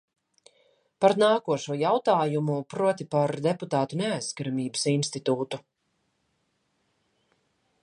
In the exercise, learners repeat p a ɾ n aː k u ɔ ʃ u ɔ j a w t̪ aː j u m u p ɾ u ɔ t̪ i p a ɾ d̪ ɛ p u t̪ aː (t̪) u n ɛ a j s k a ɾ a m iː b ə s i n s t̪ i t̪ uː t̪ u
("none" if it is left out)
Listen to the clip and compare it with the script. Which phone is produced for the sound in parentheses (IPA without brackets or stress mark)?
t̪